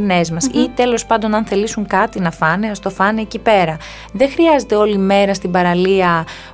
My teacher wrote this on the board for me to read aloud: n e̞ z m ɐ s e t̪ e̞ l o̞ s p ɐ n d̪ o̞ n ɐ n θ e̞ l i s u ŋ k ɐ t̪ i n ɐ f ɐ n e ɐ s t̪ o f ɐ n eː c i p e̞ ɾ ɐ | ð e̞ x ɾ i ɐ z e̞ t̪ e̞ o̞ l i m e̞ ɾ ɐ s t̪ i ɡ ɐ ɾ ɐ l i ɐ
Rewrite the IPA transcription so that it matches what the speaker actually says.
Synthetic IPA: n e̞ z m ɐ s i t̪ e̞ l o̞ s p ɐ n d̪ o̞ n ɐ n θ e̞ l i s u ŋ k ɐ t̪ i n ɐ f ɐ n e ɐ s t̪ o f ɐ n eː c i p e̞ ɾ ɐ | ð e̞ x ɾ i ɐ z e̞ t̪ e̞ o̞ l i m e̞ ɾ ɐ s t̪ i b ɐ ɾ ɐ l i ɐ